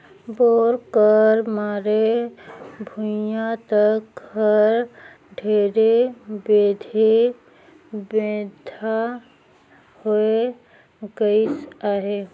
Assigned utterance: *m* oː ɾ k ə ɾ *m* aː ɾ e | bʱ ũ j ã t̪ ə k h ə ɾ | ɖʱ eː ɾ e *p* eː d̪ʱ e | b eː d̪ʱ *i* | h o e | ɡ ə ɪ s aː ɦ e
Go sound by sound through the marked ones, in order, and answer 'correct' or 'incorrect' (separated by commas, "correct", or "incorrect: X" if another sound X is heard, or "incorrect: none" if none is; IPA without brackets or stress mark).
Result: incorrect: b, correct, incorrect: b, incorrect: a